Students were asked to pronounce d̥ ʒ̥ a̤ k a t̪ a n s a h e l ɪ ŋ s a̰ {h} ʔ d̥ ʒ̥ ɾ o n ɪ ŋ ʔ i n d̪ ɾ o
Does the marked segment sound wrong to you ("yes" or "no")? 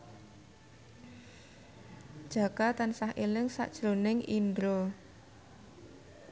yes